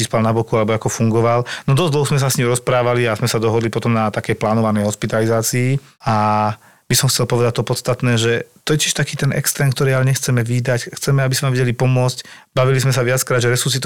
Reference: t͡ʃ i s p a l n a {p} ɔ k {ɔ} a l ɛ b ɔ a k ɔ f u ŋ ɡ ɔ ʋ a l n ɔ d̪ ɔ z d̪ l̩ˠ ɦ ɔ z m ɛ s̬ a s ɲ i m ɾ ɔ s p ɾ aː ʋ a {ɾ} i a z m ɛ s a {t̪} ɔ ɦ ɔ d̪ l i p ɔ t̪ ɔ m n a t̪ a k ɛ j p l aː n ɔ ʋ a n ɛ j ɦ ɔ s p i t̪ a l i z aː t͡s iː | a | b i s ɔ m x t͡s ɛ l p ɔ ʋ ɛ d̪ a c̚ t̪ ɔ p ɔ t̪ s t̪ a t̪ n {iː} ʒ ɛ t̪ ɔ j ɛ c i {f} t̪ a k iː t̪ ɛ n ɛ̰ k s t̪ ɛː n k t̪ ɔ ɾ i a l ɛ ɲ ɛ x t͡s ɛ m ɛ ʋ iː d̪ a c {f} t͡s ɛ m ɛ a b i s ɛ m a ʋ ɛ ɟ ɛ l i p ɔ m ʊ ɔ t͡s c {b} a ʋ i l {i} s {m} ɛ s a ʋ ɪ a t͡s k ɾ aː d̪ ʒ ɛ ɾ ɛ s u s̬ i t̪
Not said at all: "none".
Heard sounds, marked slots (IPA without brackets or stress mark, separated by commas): b, u, l, d̪, ɛː, ʃ, x, b, i, m